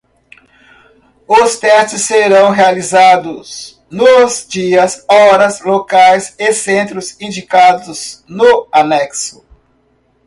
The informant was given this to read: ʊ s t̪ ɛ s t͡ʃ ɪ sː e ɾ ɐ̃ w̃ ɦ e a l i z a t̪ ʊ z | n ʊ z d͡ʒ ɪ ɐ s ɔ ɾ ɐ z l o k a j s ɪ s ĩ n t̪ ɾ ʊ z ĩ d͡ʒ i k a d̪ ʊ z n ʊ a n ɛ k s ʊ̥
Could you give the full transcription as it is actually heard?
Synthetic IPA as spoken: ʊ s t̪ ɛ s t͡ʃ ɪ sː e ɾ ɐ̃ w̃ ɦ e a l i z a d̪ ʊ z | n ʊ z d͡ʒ i ɐ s ɔ ɾ ɐ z l o k a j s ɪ s ẽ n t̪ ɾ ʊ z ĩ d͡ʒ i k a d̪ ʊ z n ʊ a n ɛ k s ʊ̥